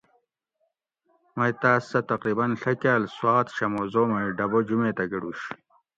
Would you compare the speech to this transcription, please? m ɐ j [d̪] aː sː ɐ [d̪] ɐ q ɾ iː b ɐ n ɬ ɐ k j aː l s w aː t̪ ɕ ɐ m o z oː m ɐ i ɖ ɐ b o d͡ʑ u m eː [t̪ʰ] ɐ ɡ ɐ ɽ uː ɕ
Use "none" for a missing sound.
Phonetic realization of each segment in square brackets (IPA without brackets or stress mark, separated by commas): t̪, t̪, t̪